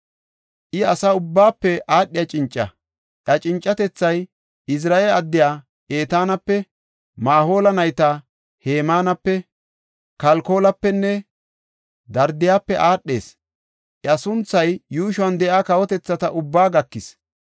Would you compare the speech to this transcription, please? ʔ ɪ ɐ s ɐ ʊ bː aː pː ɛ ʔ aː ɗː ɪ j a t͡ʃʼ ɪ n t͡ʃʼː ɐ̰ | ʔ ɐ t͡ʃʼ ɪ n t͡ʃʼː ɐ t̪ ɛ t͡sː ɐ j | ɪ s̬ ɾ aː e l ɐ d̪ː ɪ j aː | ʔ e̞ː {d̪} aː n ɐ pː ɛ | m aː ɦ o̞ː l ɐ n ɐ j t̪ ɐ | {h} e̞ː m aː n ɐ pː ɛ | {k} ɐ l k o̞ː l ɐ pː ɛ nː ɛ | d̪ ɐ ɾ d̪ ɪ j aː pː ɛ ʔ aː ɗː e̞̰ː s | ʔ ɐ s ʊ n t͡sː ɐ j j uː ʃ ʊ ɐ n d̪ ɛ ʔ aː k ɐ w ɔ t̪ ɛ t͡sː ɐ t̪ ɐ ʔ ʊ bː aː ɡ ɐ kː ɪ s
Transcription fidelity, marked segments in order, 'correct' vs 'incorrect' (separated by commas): incorrect, correct, correct